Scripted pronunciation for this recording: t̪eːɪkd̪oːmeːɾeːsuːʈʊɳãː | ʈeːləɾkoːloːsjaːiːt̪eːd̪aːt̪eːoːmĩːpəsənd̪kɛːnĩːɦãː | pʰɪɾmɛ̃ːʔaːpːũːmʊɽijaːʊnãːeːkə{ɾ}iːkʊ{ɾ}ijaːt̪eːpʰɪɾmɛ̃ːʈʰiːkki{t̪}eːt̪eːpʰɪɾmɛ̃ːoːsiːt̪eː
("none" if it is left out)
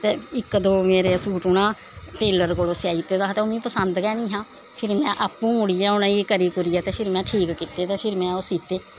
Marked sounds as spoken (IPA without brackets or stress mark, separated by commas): ɾ, ɾ, t̪